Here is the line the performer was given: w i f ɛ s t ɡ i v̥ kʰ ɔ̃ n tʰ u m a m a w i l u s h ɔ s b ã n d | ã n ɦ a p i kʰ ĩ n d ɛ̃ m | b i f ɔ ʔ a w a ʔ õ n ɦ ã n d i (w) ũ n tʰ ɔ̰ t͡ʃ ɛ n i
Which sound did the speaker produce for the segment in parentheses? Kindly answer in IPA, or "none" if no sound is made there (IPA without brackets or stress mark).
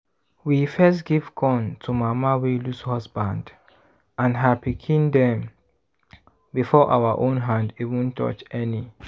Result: v